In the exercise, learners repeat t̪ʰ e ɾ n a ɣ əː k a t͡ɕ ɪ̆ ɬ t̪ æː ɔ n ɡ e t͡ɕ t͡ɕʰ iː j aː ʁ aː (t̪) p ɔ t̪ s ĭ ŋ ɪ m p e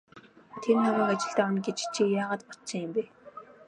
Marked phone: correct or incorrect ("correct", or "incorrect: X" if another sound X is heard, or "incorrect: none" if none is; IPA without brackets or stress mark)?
correct